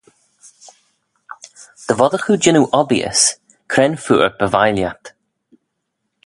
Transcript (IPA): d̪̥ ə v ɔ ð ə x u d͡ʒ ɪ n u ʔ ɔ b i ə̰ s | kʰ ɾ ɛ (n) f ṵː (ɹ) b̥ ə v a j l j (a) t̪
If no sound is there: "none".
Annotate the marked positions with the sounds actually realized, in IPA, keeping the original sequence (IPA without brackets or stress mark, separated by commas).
n, ɹ, a